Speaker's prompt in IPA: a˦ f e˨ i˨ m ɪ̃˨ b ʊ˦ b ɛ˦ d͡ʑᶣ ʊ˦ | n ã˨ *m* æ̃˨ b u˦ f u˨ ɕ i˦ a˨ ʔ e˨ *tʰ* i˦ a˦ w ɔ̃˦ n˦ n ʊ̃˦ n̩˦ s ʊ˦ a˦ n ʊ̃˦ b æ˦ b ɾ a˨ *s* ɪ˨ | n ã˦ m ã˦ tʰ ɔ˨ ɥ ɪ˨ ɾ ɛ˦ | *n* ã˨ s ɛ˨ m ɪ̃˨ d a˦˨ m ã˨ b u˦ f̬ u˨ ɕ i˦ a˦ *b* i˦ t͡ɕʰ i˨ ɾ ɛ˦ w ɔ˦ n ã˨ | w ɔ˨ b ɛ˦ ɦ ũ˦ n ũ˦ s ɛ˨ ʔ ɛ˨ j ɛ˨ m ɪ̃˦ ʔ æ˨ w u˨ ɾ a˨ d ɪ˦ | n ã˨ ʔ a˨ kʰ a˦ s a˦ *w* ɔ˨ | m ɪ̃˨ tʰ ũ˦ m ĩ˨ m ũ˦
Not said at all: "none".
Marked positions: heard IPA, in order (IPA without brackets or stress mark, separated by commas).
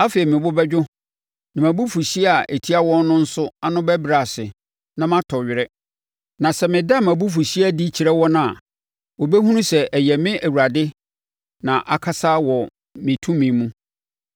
m, tʰ, s, n, d, w